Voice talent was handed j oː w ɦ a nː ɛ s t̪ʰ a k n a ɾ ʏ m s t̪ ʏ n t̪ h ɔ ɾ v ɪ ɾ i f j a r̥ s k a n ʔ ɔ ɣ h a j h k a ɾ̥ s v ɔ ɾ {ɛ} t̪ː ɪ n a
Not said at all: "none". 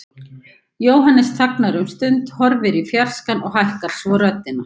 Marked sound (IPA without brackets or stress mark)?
œ